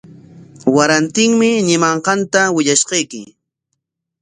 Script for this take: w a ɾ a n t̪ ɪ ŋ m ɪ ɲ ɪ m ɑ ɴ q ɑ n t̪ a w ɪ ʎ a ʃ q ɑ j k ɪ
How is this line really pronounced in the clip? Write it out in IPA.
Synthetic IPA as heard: w a ɾ a n t̪ ɪ ŋ m ɪ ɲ ɪ m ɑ ɴ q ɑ n t̪ a w ɪ ʎ a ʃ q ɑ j k ɪ